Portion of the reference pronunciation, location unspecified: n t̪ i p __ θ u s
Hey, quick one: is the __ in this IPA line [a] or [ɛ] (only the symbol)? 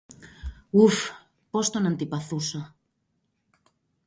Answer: a